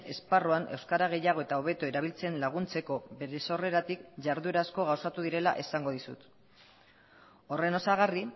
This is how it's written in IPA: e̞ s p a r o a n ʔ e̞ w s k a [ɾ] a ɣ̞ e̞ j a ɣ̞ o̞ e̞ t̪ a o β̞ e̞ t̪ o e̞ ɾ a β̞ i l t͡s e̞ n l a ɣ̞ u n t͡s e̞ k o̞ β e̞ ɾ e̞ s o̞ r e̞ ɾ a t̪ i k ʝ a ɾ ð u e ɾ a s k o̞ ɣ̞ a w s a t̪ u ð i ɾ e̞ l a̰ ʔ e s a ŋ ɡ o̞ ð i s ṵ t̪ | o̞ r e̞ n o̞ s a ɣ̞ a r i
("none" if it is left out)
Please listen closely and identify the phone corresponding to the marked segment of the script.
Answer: ɾ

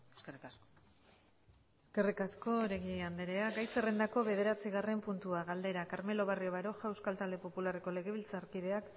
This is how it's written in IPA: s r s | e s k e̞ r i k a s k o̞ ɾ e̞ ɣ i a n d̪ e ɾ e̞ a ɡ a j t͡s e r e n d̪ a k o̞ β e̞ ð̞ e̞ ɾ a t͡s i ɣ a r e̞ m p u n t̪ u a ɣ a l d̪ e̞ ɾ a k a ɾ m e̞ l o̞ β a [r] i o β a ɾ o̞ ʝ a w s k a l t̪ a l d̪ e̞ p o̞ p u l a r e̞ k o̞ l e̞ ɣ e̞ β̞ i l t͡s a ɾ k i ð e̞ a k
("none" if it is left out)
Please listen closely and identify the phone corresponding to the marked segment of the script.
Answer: r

